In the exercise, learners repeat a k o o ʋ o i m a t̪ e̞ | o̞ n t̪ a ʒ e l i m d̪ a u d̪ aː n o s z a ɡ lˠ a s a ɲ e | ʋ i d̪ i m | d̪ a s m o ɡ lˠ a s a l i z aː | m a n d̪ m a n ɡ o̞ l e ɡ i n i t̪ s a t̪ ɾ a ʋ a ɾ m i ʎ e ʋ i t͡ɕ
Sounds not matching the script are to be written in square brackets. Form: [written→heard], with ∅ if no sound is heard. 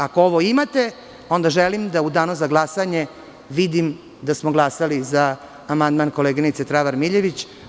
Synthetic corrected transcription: a k o o ʋ o i m a t̪ e̞ | o̞ n [t̪→d̪] a ʒ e l i m d̪ a u d̪ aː n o [s→∅] z a ɡ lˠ a s a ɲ e | ʋ i d̪ i m | d̪ a s m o ɡ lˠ a s a l i z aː | m a n d̪ m a n [ɡ→k] o̞ l e ɡ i n i t̪ s [a→e] t̪ ɾ a ʋ a ɾ m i ʎ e ʋ i t͡ɕ